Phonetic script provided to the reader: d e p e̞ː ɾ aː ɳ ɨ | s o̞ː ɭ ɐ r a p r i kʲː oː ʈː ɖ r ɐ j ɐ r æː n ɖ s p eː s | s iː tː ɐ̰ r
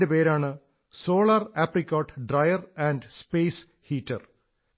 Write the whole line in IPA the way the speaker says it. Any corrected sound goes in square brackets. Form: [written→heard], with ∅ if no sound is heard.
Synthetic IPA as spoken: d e p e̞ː ɾ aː ɳ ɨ | s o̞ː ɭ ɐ r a p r i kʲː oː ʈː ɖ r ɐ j ɐ r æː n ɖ s p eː s | [s→h] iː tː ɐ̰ r